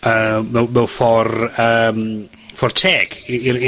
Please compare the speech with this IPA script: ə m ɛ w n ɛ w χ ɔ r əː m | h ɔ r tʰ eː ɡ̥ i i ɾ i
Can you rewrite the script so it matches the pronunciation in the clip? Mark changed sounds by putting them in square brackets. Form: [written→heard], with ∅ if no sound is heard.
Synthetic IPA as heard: ə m ɛ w [n→m] ɛ w [χ→f] ɔ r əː m | [h→f] ɔ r tʰ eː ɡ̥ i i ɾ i